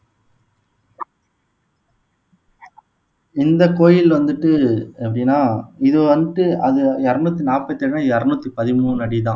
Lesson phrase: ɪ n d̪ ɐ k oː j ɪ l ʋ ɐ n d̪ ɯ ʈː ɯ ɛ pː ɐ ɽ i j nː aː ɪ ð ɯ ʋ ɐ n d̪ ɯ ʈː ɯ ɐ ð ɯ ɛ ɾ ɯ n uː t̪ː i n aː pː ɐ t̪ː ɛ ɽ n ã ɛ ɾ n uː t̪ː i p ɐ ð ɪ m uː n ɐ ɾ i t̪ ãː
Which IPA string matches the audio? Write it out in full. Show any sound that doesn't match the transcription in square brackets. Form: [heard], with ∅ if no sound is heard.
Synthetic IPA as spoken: ɪ n d̪ ɐ k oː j ɪ l ʋ ɐ n d̪ ɯ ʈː ɯ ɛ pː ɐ ɽ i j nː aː ɪ ð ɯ ʋ ɐ n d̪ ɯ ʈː ɯ ɐ ð ɯ ɛ ɾ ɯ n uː t̪ː i n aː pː ɐ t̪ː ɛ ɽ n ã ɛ ɾ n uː t̪ː i p ɐ ð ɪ m uː n ɐ [ɽ] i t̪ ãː